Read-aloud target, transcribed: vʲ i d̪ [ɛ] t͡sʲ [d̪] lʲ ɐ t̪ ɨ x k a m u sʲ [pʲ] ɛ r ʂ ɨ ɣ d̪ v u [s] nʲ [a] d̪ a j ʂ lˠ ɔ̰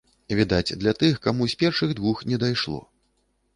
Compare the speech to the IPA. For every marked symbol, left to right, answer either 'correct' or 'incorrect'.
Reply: incorrect, correct, correct, incorrect, incorrect

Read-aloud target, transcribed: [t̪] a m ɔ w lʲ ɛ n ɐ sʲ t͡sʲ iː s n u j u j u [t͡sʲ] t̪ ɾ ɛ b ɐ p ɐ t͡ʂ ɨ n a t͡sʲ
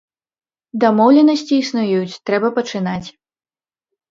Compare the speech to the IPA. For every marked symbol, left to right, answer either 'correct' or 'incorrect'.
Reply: incorrect, correct

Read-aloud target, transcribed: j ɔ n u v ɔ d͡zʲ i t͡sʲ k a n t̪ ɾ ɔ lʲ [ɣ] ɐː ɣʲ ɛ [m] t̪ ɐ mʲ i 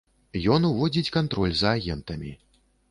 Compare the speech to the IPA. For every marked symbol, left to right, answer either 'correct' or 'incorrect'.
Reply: incorrect, incorrect

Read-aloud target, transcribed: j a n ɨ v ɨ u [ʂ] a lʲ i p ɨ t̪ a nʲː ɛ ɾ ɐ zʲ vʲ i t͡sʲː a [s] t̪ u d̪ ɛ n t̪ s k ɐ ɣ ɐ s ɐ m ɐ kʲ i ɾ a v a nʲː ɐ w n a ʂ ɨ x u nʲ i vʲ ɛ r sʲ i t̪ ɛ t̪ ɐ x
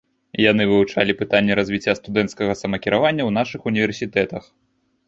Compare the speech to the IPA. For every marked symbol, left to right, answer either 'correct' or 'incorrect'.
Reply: incorrect, correct

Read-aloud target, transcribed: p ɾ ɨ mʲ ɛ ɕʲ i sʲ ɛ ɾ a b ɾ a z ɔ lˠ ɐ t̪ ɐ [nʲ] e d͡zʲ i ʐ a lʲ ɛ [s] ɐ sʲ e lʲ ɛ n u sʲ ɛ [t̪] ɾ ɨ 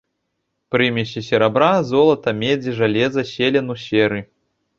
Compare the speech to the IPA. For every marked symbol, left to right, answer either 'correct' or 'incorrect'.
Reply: incorrect, incorrect, incorrect

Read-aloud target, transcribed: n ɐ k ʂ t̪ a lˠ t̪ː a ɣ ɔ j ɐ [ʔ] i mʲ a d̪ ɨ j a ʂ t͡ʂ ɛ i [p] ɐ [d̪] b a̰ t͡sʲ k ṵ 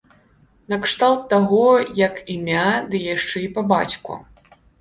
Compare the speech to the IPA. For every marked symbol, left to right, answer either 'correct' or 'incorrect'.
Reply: incorrect, correct, incorrect

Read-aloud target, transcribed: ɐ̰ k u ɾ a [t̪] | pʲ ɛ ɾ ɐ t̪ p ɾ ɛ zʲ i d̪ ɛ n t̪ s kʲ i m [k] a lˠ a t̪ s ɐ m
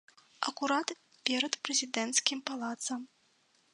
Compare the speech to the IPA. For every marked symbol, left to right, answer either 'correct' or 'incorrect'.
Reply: correct, incorrect

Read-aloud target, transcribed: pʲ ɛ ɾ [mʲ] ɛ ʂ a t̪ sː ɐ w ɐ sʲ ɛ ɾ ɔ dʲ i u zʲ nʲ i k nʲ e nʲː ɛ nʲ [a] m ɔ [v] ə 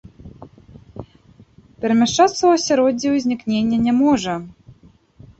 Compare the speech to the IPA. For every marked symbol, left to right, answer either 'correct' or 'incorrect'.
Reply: correct, incorrect, incorrect

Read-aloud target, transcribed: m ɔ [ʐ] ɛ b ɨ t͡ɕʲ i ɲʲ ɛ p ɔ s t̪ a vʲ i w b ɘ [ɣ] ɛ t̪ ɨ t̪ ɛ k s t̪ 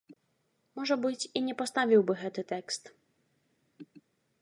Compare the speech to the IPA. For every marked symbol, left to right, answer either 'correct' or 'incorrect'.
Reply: correct, correct

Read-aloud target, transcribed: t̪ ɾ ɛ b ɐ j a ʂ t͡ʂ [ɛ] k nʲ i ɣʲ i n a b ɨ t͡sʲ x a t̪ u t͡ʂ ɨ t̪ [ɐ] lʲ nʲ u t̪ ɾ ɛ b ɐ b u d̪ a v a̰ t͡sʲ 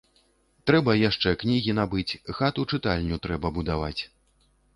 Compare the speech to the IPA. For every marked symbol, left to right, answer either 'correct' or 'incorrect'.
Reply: correct, incorrect

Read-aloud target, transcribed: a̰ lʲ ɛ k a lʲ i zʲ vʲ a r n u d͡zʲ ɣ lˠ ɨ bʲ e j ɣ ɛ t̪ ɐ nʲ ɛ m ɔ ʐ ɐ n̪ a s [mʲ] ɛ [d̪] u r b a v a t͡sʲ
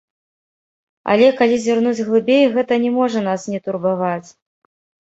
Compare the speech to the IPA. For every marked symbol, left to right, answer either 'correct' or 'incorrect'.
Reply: incorrect, incorrect

